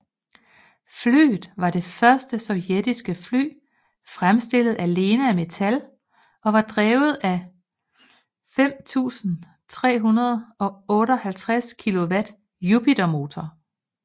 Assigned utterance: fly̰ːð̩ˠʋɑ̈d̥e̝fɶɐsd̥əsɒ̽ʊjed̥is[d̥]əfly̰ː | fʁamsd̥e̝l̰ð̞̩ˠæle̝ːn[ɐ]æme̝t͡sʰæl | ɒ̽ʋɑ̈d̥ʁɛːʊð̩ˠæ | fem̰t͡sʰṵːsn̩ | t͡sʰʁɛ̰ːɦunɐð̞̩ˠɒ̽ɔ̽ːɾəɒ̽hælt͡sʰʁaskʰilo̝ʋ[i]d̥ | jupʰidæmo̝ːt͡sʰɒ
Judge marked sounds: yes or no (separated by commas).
no, no, no